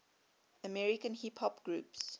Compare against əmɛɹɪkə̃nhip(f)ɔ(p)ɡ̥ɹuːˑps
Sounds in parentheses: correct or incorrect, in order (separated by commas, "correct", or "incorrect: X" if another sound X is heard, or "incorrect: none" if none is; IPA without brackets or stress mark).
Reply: incorrect: h, correct